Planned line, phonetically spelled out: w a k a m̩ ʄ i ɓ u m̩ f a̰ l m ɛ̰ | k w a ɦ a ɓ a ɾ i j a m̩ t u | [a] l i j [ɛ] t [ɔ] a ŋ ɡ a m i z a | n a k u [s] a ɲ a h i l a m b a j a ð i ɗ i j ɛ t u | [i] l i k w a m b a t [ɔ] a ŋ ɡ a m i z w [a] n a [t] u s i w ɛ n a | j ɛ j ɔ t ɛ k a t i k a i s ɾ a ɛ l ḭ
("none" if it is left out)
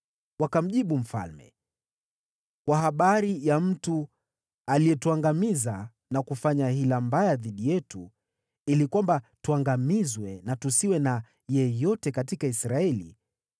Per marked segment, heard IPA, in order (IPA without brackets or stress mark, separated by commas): a, ɛ, u, f, i, u, ɛ, t